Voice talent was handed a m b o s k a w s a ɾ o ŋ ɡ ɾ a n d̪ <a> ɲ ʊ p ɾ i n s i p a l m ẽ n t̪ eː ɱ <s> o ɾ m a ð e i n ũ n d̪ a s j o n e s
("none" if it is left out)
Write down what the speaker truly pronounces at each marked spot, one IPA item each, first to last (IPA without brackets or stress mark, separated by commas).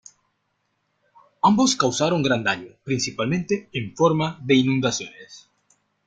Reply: a, f